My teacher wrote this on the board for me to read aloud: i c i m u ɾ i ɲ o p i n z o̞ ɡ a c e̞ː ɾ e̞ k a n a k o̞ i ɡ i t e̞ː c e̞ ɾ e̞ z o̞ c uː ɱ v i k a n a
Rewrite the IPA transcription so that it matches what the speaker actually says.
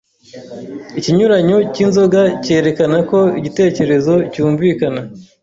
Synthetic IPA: i c i ɲ u ɾ a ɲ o c i n z o̞ ɡ a c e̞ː ɾ e̞ k a n a k o̞ i ɟ i t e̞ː c e̞ ɾ e̞ z o̞ c uː ɱ v i k a n a